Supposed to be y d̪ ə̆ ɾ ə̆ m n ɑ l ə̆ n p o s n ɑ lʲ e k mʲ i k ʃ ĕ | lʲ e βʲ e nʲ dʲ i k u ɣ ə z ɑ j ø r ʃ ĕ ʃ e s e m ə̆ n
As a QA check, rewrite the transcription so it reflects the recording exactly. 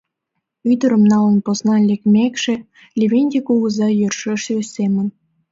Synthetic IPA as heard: y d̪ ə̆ ɾ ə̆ m n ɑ l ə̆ n p o s n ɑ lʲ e k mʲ e k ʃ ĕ | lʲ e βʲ e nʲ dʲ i k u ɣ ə z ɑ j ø r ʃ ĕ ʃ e s e m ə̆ n